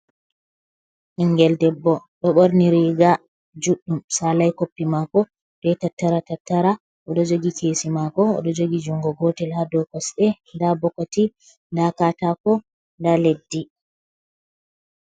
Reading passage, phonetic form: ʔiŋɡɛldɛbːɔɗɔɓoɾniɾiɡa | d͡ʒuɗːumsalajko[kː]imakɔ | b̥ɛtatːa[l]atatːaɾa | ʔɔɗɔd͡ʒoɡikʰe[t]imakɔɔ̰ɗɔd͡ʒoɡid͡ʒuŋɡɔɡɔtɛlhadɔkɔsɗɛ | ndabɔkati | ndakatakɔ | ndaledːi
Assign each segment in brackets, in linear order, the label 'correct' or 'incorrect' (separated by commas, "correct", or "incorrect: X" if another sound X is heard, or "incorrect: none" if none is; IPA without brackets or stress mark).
incorrect: pː, incorrect: ɾ, incorrect: s